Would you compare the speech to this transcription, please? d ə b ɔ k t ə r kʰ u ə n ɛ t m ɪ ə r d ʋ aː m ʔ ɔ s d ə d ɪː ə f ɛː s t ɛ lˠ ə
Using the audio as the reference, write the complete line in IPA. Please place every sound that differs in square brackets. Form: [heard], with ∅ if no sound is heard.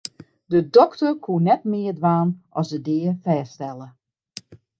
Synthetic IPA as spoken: d ə [d] ɔ k t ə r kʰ u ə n ɛ t m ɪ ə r d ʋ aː [n] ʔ ɔ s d ə d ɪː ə f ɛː s t ɛ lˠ ə